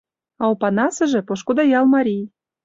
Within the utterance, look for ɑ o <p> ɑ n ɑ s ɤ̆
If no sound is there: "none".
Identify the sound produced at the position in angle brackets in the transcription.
p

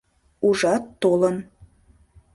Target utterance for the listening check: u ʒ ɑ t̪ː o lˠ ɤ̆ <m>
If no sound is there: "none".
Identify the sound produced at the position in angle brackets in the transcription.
n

